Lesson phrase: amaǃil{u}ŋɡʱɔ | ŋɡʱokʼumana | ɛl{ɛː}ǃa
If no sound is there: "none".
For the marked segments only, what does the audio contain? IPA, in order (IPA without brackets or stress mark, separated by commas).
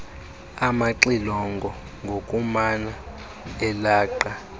ɔ, aː